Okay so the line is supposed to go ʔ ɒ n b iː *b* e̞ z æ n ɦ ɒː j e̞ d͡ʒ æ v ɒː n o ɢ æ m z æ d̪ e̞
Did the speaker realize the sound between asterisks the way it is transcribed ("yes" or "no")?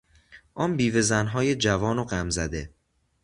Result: no